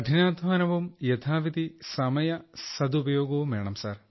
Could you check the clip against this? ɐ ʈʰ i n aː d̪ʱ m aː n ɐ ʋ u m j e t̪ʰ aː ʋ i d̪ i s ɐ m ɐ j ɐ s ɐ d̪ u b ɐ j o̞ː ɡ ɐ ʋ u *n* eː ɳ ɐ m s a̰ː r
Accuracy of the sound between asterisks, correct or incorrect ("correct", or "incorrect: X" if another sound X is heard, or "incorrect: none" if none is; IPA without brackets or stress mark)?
incorrect: m